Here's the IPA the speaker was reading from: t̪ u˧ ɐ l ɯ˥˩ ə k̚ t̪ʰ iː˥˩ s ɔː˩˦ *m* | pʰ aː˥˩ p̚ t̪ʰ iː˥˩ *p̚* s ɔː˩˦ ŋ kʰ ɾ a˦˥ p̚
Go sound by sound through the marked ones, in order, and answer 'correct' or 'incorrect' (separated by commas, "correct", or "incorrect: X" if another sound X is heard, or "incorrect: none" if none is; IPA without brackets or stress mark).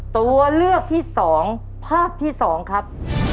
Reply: incorrect: ŋ, incorrect: none